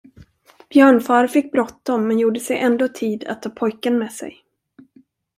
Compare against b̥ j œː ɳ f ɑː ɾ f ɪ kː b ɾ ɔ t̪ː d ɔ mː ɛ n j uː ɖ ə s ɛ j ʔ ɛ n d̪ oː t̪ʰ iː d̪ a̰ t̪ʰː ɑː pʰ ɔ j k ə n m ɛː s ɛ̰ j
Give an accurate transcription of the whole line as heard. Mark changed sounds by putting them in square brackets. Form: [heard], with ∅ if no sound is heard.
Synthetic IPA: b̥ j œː ɳ f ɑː ɾ f ɪ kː b ɾ ɔ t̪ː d ɔ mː ɛ n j uː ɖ ə s ɛ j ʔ ɛ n d̪ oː t̪ʰ iː d̪ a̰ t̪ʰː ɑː pʰ ɔ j k ə n m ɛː s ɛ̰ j